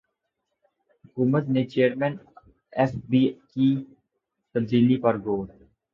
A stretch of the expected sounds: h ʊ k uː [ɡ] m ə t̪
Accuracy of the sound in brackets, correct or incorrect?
incorrect